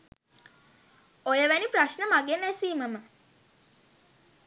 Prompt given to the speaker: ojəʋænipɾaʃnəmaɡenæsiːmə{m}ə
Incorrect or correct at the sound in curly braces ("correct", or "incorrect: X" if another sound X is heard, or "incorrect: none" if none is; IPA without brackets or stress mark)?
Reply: correct